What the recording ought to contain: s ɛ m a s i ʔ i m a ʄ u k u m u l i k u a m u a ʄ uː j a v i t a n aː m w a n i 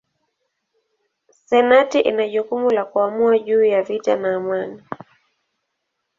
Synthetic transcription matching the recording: s ɛ n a t i ʔ i n a ʄ u k u m u l a k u a m u a ʄ uː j a v i t a n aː m w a n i